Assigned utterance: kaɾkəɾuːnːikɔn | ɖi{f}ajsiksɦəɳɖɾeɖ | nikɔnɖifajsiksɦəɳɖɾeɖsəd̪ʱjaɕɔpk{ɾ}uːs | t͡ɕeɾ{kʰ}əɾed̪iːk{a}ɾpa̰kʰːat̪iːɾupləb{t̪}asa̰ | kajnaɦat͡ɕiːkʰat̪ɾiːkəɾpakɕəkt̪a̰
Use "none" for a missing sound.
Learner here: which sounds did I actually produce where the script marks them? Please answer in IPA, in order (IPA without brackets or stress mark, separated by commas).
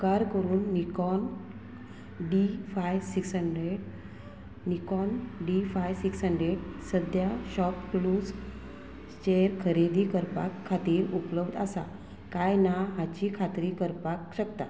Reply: f, l, kʰ, ə, d̪